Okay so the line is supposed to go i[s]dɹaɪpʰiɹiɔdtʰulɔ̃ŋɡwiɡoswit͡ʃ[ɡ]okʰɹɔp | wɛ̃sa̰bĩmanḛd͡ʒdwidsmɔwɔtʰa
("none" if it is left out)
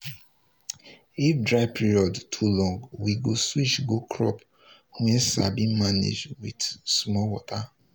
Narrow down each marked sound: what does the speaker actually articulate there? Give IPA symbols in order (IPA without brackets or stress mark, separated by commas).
f, ɡ